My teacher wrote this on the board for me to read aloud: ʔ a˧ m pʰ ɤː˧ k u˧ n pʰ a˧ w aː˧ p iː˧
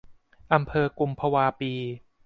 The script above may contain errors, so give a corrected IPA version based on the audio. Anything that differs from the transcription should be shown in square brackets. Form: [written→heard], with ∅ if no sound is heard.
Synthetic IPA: ʔ a˧ m pʰ ɤː˧ k u˧ [n→m] pʰ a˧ w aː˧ p iː˧